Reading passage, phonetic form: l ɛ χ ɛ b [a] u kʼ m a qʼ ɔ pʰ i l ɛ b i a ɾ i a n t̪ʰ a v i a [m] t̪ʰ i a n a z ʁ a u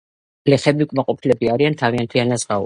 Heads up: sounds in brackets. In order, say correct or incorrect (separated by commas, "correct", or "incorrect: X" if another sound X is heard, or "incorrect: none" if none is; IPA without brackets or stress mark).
incorrect: i, incorrect: n